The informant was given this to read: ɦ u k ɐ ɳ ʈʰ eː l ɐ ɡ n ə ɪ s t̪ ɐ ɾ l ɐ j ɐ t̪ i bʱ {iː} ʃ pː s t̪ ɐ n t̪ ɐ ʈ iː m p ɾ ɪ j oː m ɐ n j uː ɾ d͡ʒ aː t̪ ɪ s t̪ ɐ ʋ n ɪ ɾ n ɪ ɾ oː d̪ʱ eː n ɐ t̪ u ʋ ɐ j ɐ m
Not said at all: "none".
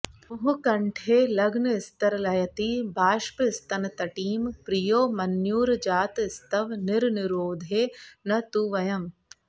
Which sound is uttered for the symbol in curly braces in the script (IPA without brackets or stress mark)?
aː